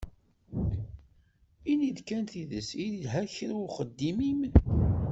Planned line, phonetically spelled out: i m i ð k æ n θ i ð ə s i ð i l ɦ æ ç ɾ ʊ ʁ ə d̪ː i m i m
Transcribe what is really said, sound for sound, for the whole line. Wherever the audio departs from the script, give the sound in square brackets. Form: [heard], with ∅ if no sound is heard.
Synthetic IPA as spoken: i [n] i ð k æ n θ i ð ə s i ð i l ɦ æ ç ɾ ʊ [χ] ə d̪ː i m i m